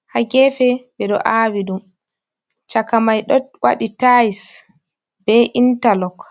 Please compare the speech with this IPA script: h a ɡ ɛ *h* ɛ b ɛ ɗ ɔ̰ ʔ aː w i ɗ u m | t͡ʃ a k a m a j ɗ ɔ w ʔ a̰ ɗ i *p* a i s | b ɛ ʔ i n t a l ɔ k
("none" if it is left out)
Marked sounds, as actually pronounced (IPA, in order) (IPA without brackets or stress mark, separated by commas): f, t